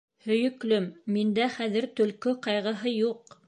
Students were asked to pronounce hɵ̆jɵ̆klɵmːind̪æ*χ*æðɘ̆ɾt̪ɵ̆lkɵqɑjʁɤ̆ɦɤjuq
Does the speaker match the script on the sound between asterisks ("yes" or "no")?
yes